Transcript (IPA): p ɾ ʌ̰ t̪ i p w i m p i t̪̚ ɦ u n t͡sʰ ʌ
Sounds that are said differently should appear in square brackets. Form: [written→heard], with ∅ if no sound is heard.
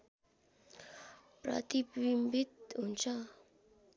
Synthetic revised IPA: p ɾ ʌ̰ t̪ i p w i m [p→b] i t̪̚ ɦ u n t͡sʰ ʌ